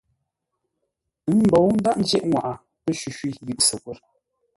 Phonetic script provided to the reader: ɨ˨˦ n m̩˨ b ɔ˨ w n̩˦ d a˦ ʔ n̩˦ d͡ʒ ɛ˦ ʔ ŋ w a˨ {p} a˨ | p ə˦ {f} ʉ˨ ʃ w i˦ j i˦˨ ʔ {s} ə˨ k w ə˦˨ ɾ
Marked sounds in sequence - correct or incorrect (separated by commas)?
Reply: incorrect, incorrect, correct